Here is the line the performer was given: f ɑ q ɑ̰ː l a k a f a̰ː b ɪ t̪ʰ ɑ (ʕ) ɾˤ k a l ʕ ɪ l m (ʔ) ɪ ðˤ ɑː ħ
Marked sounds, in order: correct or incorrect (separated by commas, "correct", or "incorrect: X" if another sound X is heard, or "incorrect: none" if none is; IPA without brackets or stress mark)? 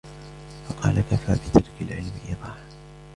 incorrect: none, correct